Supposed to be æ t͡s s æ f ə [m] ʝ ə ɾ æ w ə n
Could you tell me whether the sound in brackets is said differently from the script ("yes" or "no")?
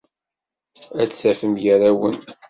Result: no